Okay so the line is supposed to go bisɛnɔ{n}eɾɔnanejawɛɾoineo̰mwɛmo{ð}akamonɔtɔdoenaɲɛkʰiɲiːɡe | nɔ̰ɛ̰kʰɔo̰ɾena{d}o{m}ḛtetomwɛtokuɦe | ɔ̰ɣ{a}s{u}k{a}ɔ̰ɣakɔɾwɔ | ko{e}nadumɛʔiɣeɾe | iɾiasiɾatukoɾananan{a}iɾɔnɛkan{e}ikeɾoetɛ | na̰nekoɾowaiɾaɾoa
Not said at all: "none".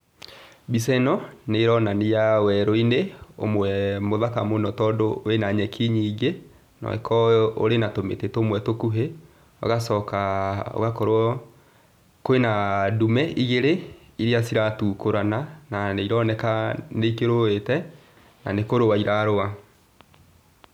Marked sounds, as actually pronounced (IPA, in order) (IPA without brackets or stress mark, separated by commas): n, ð, t, m, a, ɔ, a, e, e, e